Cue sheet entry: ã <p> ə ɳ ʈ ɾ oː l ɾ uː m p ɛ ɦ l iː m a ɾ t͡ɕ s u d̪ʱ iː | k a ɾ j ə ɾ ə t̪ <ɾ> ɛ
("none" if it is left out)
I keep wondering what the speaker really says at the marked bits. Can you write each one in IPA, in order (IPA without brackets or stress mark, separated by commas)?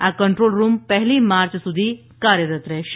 k, ɾ